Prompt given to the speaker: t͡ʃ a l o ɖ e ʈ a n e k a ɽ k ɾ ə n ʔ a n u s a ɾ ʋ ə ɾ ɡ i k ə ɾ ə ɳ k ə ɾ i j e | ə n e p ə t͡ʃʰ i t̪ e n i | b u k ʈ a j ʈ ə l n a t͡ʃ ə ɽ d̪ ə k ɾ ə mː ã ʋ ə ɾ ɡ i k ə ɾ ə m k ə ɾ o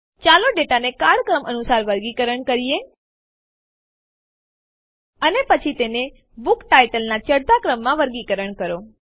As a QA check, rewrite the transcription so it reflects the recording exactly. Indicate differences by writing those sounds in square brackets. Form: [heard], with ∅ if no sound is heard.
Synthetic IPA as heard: t͡ʃ a l o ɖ e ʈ a n e k a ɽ k ɾ ə [m] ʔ [ə] n u s a ɾ ʋ ə ɾ ɡ i k ə ɾ ə ɳ k ə ɾ i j e | ə n e p ə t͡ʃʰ i t̪ e n [e] | b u k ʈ a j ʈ ə l n a t͡ʃ ə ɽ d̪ [a] k ɾ ə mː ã ʋ ə ɾ ɡ i k ə ɾ ə [ɳ] k ə ɾ o